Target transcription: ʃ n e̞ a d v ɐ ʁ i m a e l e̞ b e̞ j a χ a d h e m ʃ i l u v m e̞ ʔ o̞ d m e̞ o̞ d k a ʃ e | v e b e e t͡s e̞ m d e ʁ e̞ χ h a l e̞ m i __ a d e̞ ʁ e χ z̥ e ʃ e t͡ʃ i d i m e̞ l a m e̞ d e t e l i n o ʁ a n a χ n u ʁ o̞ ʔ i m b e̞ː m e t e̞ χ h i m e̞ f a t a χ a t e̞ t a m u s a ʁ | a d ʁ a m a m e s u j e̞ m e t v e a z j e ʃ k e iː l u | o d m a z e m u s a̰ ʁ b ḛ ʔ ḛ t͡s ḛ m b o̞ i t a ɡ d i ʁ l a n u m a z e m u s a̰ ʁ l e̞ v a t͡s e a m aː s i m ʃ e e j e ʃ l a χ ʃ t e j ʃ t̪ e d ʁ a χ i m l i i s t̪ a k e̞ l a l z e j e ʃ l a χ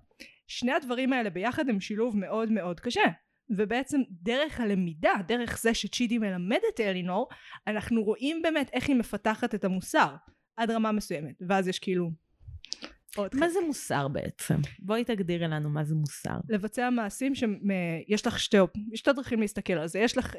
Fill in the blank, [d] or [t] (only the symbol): d